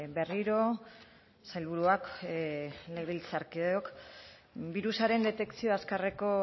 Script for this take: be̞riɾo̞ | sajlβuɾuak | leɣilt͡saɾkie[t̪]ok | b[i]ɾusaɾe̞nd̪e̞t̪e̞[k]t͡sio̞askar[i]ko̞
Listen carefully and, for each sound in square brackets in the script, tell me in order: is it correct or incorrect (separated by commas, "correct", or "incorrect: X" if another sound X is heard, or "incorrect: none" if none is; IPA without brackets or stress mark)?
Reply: incorrect: none, correct, correct, incorrect: e